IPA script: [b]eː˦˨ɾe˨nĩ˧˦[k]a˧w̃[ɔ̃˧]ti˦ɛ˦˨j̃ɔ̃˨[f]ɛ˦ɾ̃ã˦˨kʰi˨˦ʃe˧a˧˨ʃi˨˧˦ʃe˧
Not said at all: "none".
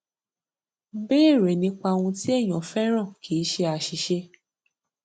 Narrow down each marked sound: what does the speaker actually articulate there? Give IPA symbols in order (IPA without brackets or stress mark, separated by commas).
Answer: b, k͡p, ũ˧, f